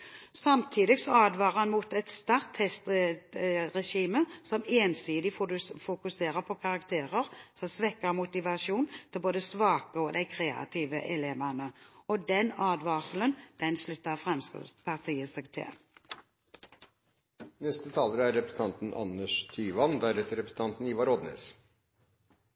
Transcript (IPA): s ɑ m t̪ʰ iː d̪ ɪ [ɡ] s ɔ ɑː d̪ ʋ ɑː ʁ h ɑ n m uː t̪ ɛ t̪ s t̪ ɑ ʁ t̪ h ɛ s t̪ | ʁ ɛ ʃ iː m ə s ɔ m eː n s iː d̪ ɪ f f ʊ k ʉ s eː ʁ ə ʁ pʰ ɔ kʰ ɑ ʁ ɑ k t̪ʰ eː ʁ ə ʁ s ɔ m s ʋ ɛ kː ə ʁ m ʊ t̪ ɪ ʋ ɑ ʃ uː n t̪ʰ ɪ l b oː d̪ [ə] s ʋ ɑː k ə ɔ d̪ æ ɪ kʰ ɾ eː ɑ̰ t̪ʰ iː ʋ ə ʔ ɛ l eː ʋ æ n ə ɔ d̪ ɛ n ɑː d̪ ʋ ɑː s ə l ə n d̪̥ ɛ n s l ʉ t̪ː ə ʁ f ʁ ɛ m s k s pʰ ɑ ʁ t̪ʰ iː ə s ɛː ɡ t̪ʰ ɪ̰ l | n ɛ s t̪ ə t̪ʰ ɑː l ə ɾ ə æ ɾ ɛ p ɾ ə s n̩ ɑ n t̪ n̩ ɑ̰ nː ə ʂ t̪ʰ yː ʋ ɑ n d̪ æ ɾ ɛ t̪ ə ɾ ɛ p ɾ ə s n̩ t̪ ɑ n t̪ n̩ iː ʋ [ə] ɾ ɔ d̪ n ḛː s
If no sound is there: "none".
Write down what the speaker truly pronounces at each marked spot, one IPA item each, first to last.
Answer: ɡ, ə, ɑ

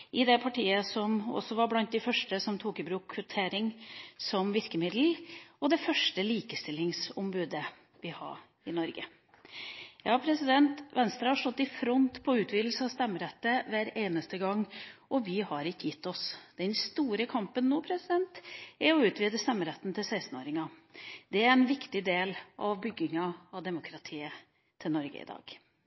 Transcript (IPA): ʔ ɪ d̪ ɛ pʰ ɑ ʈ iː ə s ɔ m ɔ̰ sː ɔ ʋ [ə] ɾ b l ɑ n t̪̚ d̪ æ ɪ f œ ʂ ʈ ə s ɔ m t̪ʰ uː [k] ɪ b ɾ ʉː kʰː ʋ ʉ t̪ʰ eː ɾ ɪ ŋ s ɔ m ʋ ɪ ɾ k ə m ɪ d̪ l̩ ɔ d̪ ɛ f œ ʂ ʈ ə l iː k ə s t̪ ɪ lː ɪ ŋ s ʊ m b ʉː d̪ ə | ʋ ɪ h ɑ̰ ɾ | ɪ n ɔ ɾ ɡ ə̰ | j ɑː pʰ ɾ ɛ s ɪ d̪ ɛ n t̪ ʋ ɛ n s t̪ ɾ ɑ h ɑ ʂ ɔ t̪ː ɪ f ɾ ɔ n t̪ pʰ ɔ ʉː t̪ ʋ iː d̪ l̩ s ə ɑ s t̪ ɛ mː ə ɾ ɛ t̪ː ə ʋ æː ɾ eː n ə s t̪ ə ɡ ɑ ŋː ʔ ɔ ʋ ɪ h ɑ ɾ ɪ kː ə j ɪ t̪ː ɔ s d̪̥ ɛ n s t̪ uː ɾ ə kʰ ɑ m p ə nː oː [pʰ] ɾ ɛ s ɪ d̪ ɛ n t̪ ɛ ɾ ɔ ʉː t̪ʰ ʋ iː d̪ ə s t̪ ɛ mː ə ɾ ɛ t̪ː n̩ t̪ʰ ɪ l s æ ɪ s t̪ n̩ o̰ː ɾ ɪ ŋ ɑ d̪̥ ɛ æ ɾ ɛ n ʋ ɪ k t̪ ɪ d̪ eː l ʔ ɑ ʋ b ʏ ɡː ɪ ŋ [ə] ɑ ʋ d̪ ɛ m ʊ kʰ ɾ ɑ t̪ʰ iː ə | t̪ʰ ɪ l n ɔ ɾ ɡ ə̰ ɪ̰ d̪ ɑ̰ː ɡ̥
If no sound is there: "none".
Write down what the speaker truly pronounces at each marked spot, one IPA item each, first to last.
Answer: ɑ, k, pʰ, ɑ

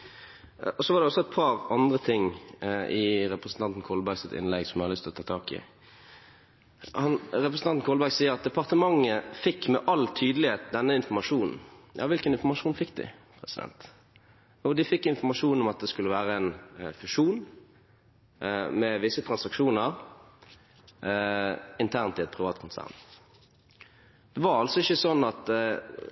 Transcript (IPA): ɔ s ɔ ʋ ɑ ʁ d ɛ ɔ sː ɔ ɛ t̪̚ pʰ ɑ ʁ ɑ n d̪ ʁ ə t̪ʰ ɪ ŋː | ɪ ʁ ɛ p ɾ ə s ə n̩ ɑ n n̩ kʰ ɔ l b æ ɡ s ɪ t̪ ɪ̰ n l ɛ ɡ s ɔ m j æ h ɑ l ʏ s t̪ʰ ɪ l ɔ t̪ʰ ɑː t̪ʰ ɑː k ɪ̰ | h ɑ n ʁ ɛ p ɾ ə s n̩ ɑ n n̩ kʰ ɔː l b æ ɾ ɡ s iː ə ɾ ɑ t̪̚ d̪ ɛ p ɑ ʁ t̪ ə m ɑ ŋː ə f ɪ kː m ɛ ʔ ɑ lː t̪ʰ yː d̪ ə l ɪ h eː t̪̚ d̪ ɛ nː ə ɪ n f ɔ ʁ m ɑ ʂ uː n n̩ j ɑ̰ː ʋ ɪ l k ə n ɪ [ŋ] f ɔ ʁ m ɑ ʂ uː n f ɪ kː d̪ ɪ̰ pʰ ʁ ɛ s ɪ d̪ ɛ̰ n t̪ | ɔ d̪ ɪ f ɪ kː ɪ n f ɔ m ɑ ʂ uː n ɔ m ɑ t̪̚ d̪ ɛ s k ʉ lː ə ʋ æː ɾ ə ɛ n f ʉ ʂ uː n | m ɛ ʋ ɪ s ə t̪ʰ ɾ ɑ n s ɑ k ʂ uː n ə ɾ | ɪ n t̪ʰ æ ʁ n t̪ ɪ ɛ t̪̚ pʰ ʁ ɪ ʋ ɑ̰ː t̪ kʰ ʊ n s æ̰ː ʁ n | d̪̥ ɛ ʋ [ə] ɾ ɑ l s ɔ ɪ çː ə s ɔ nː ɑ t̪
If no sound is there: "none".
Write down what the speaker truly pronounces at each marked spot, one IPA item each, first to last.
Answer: n, ɑ

